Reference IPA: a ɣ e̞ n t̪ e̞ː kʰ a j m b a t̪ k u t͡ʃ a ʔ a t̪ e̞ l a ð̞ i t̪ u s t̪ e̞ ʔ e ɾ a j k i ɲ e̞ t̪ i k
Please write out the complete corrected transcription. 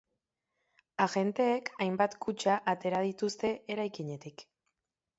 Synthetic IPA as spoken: a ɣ e̞ n t̪ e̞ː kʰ a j m b a t̪ k u t͡ʃ a ʔ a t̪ e̞ ɾ a ð̞ i t̪ u s t̪ e̞ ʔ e ɾ a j k i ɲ e̞ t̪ i k

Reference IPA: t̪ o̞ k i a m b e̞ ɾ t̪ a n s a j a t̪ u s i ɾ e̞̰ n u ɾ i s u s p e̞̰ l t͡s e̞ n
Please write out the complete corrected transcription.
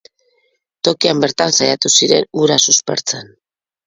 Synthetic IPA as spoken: t̪ o̞ k i a m b e̞ ɾ t̪ a n s a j a t̪ u s i ɾ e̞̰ n u ɾ a s u s p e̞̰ ɾ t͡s e̞ n

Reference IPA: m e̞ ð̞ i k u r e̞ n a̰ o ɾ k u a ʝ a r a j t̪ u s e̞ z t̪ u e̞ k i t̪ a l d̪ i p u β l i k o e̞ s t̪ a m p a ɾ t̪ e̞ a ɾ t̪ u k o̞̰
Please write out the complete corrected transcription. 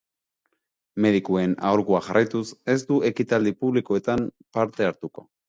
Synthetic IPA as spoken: m e̞ ð̞ i k u e̞ n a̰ o ɾ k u a ʝ a r a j t̪ u s e̞ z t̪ u e̞ k i t̪ a l d̪ i p u β l i k o e̞ t̪ a m p a ɾ t̪ e̞ a ɾ t̪ u k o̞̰

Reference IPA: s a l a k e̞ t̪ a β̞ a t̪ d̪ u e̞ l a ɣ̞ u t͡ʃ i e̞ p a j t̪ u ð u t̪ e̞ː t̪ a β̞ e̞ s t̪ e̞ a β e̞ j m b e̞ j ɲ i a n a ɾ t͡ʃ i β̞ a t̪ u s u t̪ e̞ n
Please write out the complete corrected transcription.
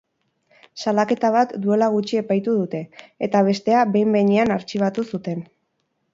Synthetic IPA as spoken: s a l a k e̞ t̪ a β̞ a t̪ d̪ u e̞ l a ɣ̞ u t͡ʃ i e̞ p a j t̪ u ð u t̪ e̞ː t̪ a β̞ e̞ s t̪ e̞ a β e̞ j m b e̞ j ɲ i a n a ɾ t͡ʃ i β̞ a t̪ u s u t̪ e̞ n

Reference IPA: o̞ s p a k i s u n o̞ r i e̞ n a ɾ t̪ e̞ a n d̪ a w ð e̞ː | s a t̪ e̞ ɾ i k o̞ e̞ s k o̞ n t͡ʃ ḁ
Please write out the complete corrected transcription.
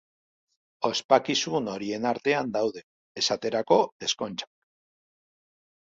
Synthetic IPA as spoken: o̞ s p a k i s u n o̞ ɾ i e̞ n a ɾ t̪ e̞ a n d̪ a w ð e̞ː | s a t̪ e̞ ɾ a k o̞ e̞ s k o̞ n t͡ʃ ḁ

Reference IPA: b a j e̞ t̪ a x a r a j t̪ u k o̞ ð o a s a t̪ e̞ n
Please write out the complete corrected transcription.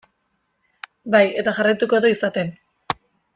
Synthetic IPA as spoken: b a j e̞ t̪ a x a r a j t̪ u k o̞ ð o i s a t̪ e̞ n

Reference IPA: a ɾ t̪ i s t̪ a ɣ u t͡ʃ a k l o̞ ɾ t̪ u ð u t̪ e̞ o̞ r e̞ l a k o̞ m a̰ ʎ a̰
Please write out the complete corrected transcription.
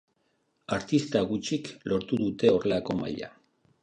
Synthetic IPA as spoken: a ɾ t̪ i s t̪ a ɣ u t͡ʃ i k l o̞ ɾ t̪ u ð u t̪ e̞ o̞ r e̞ l a k o̞ m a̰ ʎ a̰

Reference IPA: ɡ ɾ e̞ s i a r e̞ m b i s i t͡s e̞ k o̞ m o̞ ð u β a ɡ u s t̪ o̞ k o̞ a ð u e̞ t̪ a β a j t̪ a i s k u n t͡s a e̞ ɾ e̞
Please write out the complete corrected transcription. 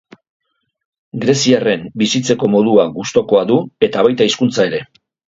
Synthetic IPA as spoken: ɡ ɾ e̞ s i a r e̞ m b i s i t͡s e̞ k o̞ m o̞ ð u a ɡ u s t̪ o̞ k o̞ a ð u e̞ t̪ a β a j t̪ a i s k u n t͡s a e̞ ɾ e̞

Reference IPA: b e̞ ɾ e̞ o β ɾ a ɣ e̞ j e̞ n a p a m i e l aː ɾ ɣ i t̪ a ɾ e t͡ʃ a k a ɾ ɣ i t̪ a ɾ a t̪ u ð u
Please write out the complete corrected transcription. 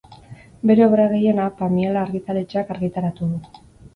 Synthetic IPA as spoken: b e̞ ɾ e̞ o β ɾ a ɣ e̞ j e̞ n a p a m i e l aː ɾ ɣ i t̪ a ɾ e t͡ʃ a k a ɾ ɣ i t̪ a ɾ a t̪ u ð u

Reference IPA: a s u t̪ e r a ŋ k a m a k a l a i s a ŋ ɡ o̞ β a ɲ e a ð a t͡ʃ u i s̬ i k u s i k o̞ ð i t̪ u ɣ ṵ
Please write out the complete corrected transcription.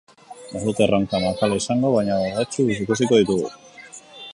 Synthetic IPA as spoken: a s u t̪ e r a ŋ k a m a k a l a i s a ŋ ɡ o̞ β a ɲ a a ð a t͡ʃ u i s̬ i k u s i k o̞ ð i t̪ u ɣ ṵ

